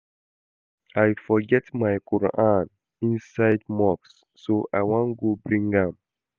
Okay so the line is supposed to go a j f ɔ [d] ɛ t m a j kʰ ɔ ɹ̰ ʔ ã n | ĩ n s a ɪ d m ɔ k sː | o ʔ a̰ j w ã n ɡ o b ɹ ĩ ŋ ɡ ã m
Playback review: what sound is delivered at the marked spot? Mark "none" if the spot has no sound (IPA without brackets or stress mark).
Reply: ɡ